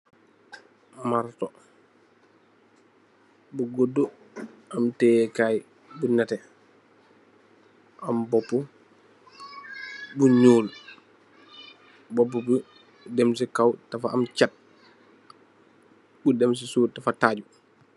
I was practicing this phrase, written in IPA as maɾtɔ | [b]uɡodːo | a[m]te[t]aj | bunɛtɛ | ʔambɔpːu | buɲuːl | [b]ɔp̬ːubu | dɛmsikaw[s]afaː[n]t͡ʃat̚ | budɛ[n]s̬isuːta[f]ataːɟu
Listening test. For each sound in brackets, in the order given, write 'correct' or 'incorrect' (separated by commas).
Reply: correct, correct, incorrect, correct, incorrect, incorrect, incorrect, correct